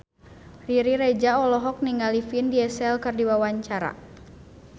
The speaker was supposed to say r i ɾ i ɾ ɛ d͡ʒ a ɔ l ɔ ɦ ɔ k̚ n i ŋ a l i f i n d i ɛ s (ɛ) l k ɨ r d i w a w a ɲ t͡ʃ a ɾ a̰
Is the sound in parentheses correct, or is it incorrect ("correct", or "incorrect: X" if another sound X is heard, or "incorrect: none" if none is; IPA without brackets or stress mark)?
correct